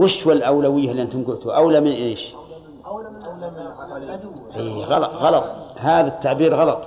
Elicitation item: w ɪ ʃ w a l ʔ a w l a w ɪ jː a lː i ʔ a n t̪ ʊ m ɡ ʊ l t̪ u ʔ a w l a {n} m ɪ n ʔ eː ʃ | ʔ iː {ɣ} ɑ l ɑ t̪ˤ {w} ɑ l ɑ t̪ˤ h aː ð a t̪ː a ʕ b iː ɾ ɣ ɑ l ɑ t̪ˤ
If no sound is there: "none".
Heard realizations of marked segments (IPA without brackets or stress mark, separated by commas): none, ɣ, ɣ